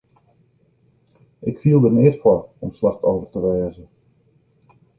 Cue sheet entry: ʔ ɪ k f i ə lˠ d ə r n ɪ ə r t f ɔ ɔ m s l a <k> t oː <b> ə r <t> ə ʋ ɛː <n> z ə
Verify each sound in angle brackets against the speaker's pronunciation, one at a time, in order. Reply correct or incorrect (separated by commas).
incorrect, incorrect, correct, incorrect